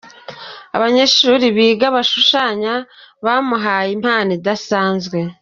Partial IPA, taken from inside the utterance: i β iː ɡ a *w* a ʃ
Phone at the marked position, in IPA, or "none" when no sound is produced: β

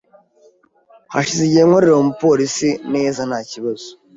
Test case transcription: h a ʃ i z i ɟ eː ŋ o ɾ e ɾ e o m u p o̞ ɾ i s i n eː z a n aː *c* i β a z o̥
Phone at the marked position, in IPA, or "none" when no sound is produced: c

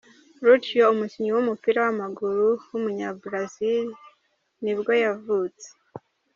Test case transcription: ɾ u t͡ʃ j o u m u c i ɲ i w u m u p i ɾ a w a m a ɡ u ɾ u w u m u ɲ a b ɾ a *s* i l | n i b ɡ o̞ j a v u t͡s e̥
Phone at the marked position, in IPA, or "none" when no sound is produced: z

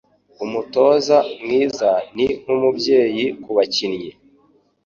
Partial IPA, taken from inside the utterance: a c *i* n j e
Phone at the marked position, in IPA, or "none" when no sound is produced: i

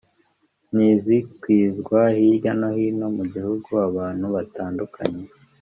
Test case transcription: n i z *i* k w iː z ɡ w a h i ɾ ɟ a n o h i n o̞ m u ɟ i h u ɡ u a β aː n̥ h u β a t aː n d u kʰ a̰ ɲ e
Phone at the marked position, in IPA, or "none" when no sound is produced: i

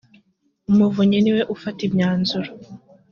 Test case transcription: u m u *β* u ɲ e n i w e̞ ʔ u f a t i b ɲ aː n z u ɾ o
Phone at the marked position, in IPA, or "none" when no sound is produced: v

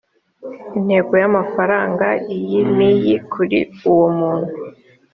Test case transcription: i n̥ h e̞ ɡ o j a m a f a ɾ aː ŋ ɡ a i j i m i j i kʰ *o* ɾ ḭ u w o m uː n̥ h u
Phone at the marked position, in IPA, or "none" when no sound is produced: u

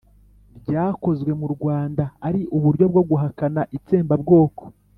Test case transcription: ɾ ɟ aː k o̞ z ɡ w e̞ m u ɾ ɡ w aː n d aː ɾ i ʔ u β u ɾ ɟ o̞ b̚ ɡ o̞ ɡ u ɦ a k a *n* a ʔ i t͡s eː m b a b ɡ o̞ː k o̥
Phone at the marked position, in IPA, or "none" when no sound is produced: n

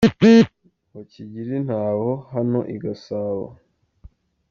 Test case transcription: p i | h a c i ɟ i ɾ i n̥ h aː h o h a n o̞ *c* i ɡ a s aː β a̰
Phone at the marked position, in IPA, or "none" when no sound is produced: ʔ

